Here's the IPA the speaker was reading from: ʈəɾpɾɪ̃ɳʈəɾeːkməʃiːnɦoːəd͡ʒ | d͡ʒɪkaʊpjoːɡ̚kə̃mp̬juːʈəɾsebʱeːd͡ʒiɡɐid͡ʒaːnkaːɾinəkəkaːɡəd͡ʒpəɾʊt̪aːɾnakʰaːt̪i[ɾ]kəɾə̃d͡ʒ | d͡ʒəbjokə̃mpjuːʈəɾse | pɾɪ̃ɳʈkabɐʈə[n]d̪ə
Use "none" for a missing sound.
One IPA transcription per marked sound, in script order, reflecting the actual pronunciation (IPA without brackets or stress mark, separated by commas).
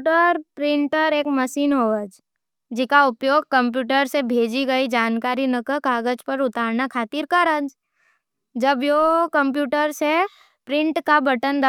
ɾ, n